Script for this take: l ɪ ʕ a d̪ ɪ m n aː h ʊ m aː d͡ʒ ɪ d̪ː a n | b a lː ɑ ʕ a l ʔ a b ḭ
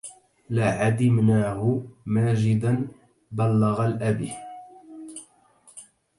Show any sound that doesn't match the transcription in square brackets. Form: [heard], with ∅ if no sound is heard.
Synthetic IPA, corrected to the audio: l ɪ ʕ a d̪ ɪ m n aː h ʊ m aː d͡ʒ ɪ [d̪] a n | b a lː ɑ [ɣ] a l ʔ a b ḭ